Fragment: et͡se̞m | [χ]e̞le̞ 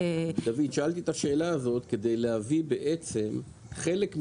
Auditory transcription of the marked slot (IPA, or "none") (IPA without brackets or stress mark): χ